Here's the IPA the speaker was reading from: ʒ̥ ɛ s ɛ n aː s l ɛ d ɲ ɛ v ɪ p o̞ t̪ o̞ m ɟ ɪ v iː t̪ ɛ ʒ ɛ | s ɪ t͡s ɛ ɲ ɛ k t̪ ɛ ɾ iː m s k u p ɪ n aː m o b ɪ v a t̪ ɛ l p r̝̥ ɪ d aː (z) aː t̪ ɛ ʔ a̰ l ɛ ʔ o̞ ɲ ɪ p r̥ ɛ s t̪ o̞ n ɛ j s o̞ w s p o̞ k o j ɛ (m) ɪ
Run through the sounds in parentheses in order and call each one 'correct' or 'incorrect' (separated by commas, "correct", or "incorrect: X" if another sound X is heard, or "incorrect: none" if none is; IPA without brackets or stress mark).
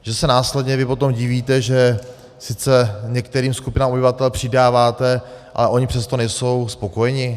incorrect: v, incorrect: ɲ